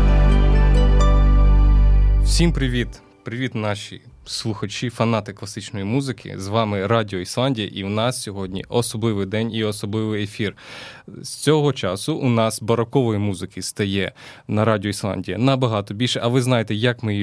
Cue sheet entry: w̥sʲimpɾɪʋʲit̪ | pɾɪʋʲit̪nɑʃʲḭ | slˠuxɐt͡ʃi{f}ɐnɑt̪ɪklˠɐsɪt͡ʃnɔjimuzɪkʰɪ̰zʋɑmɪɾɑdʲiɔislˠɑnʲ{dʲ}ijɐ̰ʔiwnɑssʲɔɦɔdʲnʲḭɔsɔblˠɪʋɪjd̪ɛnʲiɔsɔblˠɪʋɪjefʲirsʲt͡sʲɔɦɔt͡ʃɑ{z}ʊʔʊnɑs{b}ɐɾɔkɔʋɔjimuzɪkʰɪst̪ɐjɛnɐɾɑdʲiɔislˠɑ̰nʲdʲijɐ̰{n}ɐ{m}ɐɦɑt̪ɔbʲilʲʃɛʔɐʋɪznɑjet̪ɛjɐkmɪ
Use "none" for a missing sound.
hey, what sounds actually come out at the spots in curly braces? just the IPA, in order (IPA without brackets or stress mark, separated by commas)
f, dʲ, s, b, n, b